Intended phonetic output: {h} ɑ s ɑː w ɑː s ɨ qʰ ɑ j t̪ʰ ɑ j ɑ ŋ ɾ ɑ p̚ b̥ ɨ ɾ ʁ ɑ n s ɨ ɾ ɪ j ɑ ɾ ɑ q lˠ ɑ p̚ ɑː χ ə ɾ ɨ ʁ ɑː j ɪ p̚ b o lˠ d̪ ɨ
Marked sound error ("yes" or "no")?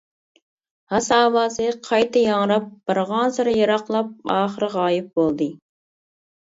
no